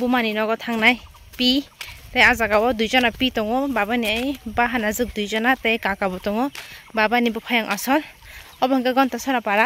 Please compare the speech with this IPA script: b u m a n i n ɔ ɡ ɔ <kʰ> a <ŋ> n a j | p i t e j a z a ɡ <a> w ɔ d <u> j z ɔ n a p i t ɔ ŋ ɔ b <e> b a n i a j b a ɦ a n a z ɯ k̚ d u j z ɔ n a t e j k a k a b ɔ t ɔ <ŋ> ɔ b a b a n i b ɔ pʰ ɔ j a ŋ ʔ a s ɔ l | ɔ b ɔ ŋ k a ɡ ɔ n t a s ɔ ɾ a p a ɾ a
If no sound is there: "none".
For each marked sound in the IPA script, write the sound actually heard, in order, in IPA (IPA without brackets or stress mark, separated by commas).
tʰ, ŋ, a, u, a, ŋ